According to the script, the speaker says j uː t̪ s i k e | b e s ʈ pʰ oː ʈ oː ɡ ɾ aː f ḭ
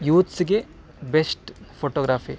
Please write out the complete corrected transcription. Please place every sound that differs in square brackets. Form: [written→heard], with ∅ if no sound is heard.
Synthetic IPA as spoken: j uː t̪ s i [k→ɡ] e | b e s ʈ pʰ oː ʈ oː ɡ ɾ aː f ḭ

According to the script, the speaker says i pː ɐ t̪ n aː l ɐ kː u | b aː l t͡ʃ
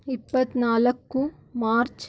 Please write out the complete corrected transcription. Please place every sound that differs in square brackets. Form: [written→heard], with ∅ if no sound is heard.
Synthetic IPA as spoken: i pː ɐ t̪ n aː l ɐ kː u | [b→m] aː [l→ɾ] t͡ʃ

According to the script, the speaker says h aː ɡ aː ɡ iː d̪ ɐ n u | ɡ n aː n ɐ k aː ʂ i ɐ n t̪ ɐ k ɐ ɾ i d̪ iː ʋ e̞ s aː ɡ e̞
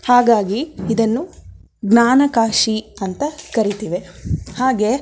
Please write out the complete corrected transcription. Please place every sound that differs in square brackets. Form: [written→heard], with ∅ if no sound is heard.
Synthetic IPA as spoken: h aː ɡ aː ɡ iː d̪ ɐ [n→nː] u | ɡ n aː n ɐ k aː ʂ i ɐ n t̪ ɐ k ɐ ɾ i [d̪→t̪] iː ʋ e̞ [s→h] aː ɡ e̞

